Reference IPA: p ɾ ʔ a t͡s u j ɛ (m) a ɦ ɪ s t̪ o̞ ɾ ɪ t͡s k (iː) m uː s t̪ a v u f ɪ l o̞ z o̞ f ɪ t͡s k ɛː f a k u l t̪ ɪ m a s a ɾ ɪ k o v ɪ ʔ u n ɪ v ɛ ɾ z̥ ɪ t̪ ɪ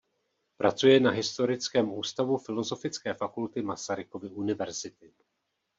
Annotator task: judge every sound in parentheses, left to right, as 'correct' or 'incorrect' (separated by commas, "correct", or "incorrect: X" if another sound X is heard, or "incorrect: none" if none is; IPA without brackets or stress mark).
incorrect: n, incorrect: ɛː